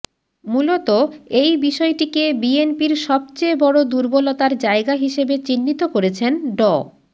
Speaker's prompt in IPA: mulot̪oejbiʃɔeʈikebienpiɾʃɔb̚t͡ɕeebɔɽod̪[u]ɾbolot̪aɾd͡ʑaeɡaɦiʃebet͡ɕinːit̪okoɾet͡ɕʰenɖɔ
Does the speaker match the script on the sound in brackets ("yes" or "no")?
yes